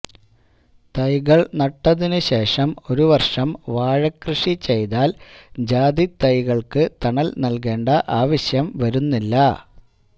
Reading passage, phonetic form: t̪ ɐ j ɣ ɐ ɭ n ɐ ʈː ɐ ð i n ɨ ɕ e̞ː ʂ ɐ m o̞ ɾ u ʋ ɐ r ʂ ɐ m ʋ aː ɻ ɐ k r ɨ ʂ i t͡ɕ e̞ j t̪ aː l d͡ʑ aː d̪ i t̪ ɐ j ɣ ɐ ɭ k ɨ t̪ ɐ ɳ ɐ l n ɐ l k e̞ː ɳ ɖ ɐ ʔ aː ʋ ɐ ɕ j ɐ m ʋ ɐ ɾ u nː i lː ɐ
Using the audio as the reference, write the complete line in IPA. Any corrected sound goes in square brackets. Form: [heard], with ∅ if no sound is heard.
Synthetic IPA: t̪ ɐ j ɣ ɐ ɭ n ɐ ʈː ɐ ð i n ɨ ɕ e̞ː ʂ ɐ m o̞ ɾ u ʋ ɐ r ʂ ɐ m ʋ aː ɻ ɐ k r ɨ ʂ i t͡ɕ e̞ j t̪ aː l d͡ʑ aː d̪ i t̪ ɐ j ɣ ɐ ɭ k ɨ t̪ ɐ ɳ ɐ l n ɐ l k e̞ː ɳ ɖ ɐ ʔ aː ʋ ɐ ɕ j ɐ m ʋ ɐ ɾ u nː i lː ɐ